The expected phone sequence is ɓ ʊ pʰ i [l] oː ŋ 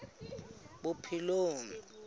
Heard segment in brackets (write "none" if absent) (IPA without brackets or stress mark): l